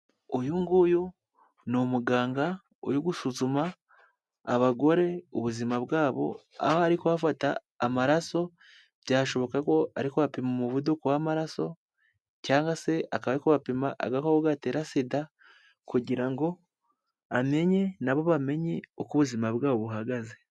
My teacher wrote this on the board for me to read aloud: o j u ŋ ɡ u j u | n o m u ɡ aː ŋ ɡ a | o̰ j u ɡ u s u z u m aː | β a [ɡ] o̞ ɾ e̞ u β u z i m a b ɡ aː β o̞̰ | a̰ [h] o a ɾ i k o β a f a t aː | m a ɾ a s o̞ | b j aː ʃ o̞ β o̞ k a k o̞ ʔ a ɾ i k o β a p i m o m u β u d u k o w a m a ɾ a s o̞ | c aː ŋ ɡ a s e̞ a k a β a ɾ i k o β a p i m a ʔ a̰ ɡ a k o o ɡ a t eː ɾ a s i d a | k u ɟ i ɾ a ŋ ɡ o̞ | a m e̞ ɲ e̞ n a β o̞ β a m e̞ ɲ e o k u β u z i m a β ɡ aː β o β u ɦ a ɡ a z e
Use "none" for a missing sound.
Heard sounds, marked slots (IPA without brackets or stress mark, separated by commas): ɡ, h